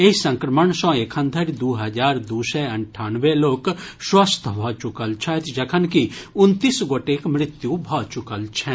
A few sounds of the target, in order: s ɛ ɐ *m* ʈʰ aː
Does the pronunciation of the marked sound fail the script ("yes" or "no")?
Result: yes